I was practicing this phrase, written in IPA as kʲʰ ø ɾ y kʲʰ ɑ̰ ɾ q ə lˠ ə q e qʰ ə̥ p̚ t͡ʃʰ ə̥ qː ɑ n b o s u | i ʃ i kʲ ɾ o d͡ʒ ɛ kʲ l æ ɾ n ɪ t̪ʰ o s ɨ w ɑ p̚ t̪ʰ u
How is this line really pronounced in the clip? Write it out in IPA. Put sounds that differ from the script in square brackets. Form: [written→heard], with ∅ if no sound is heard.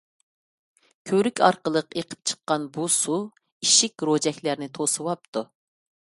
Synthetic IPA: kʲʰ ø ɾ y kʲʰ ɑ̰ ɾ q ə lˠ ə q e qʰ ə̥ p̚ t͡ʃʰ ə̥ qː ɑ n b [o→u] s u | i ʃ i kʲ ɾ o d͡ʒ ɛ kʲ l æ ɾ n ɪ t̪ʰ o s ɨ w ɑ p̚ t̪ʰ u